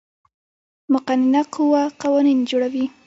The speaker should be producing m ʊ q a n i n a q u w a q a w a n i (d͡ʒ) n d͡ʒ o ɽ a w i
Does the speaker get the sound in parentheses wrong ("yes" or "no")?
yes